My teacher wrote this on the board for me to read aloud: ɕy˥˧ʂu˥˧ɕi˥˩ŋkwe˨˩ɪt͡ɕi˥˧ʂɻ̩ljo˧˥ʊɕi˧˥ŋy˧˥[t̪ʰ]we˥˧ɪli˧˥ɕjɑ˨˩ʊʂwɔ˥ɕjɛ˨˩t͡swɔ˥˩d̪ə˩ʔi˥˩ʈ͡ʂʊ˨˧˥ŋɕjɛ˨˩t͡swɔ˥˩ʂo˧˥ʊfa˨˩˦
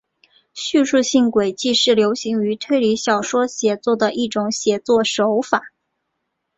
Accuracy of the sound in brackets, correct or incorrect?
correct